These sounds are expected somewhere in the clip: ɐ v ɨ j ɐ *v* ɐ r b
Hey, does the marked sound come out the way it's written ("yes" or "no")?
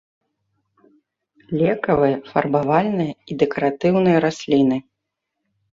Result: no